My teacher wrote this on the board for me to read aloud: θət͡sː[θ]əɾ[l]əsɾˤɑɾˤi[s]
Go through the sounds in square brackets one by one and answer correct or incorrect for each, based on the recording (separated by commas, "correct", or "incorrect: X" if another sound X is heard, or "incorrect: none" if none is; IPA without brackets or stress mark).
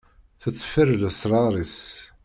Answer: incorrect: f, correct, correct